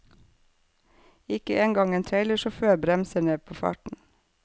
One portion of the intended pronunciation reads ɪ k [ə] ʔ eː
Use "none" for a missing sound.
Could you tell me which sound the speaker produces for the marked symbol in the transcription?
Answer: ə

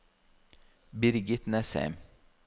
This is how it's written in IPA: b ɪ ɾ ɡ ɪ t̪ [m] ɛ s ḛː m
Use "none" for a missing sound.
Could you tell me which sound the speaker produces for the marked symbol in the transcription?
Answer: n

